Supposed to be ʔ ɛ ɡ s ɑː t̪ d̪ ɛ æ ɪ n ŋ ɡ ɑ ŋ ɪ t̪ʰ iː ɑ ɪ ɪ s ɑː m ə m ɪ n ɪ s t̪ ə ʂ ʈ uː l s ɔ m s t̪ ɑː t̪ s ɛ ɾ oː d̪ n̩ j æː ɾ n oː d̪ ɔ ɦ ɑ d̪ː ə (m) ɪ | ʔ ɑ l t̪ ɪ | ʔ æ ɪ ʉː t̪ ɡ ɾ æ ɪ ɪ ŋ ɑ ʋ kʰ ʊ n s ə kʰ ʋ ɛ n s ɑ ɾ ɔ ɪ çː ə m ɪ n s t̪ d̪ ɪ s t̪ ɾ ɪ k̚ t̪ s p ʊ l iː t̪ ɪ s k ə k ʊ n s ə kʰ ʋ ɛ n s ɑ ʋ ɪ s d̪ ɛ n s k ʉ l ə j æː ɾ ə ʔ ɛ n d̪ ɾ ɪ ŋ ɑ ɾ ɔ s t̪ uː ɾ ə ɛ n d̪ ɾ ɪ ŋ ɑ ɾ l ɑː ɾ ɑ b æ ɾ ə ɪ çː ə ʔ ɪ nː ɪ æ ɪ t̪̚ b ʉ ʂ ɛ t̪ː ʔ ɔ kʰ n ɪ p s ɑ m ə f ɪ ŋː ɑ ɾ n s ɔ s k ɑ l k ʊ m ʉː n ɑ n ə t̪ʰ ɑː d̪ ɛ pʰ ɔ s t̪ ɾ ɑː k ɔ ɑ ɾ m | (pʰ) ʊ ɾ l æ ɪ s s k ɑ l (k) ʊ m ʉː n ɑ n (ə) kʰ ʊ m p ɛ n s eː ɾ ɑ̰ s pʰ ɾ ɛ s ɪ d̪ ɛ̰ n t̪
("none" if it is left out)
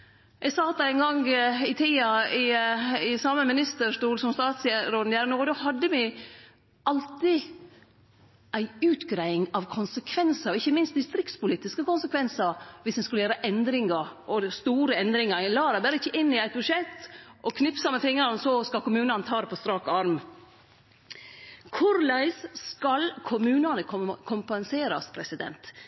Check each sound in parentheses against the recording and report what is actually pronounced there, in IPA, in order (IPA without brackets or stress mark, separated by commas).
m, kʰ, kʰ, ə